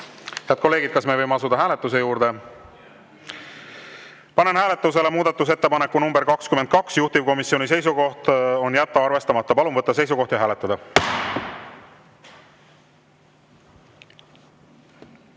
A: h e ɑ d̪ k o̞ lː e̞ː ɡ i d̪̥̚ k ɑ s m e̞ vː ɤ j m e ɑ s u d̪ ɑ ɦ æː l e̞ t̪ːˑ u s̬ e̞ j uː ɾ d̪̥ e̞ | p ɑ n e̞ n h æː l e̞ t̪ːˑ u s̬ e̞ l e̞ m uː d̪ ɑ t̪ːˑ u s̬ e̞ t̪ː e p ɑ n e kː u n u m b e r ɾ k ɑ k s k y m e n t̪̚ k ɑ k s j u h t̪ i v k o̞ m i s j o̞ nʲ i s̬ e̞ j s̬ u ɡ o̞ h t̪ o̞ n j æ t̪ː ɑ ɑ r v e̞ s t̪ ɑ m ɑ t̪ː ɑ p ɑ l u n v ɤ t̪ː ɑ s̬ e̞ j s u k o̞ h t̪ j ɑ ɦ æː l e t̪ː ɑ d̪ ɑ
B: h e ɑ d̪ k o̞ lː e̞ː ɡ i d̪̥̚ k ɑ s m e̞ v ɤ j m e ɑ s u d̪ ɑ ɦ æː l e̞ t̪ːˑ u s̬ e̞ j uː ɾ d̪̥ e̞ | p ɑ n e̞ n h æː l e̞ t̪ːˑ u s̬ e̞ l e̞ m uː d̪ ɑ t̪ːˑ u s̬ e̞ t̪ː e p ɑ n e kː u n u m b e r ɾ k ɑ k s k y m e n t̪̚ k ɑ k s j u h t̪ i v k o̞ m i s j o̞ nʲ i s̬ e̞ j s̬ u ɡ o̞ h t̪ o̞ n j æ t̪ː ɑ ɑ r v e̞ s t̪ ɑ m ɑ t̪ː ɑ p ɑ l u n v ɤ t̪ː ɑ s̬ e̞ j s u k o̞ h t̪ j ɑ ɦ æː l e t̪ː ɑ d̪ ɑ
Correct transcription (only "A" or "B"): B